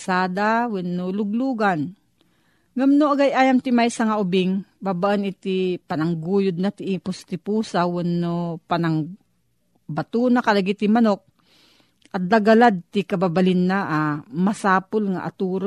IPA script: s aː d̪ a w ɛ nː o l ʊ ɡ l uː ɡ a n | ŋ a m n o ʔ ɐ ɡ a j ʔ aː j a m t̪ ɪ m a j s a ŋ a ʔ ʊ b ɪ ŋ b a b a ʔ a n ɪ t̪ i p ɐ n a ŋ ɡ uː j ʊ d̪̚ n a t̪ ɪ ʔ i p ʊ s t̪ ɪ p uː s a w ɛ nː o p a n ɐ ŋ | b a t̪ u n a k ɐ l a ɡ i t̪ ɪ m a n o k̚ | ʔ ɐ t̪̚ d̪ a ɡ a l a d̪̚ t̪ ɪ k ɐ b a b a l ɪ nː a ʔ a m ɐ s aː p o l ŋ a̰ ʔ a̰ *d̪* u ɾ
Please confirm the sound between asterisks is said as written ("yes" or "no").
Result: no